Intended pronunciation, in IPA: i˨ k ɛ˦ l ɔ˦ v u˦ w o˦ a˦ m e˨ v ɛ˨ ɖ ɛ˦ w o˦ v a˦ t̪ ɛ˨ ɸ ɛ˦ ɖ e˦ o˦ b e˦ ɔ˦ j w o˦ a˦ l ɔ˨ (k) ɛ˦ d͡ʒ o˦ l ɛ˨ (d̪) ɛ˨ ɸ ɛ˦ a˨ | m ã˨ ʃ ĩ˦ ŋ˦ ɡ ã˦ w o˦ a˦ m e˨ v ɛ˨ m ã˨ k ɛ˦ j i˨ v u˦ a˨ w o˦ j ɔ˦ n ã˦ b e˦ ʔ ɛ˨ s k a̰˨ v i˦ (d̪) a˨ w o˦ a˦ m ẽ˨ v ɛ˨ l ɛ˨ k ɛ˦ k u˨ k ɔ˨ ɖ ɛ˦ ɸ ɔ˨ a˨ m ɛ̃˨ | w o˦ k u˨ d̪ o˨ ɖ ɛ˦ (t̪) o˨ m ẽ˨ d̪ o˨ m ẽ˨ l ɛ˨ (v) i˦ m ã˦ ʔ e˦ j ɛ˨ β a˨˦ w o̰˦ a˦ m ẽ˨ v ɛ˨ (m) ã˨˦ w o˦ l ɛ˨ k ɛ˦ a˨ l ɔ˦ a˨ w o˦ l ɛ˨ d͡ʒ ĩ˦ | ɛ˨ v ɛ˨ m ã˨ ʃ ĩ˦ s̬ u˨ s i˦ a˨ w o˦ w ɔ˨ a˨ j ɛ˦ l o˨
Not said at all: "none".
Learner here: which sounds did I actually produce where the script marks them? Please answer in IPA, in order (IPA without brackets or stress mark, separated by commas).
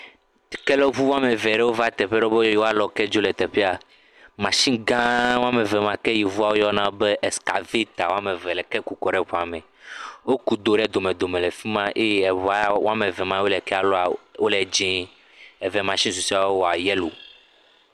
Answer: k, t̪, t̪, d̪, f, m